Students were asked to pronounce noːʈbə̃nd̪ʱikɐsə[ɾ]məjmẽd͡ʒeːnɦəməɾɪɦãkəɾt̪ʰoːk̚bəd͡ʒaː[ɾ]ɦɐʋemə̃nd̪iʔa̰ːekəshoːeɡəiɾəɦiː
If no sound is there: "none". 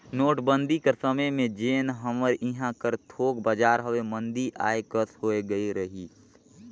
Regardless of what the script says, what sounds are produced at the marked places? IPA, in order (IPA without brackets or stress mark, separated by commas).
none, ɾ